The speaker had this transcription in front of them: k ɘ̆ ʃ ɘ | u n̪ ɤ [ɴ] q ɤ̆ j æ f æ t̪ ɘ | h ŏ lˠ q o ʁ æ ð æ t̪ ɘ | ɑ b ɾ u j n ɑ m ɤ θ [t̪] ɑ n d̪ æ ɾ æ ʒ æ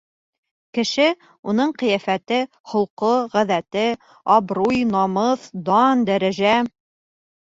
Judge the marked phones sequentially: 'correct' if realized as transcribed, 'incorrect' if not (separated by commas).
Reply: correct, incorrect